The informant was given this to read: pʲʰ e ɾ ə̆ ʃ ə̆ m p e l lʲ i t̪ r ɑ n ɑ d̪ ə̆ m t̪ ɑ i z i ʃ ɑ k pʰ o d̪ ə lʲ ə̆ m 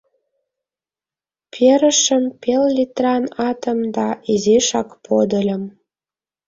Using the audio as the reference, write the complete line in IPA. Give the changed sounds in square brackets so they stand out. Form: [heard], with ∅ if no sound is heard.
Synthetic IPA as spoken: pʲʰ e ɾ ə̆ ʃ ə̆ m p e l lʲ i t̪ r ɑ n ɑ [t̪] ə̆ m [d̪] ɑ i z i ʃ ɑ k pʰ o d̪ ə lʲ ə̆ m